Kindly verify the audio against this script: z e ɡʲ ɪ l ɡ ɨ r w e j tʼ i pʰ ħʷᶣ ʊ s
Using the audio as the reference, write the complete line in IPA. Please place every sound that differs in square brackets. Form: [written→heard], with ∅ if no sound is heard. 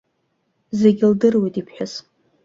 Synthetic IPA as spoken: z e ɡʲ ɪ l [ɡ→d] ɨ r w e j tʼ i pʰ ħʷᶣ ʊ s